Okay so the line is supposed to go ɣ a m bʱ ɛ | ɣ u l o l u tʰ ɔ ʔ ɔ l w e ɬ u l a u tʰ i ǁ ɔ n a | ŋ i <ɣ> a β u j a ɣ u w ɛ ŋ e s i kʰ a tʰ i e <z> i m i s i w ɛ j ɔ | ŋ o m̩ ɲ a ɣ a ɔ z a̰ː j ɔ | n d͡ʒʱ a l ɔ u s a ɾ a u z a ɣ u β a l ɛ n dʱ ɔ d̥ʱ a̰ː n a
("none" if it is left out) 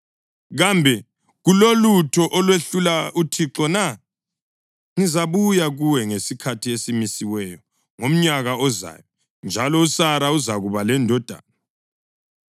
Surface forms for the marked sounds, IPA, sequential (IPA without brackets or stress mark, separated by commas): z, s